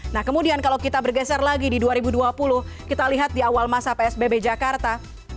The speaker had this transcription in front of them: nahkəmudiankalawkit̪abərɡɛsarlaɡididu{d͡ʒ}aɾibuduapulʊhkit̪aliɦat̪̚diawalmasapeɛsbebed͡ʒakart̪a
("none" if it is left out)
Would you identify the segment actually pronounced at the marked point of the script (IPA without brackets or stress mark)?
none